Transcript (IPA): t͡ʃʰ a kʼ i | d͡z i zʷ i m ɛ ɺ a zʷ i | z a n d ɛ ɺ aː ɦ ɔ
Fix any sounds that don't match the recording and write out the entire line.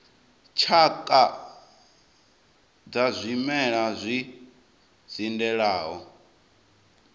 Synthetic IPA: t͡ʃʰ a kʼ a | d͡z a zʷ i m ɛ ɺ a zʷ i | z i n d ɛ ɺ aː ɦ ɔ